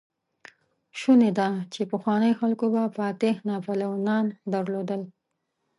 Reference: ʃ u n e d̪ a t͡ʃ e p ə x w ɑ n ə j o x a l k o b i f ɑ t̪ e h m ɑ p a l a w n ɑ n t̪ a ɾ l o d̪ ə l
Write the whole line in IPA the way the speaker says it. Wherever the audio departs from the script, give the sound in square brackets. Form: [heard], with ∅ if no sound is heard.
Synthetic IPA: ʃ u n e d̪ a t͡ʃ e p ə x w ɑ n ə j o x a l k o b [a] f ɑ t̪ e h [n] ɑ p a l a w n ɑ n [d̪] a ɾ l o d̪ ə l